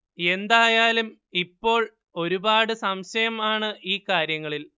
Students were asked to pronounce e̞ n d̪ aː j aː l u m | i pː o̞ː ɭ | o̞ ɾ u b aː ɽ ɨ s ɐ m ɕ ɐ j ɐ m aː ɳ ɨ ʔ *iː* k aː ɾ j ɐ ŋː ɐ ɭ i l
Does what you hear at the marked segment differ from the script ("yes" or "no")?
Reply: no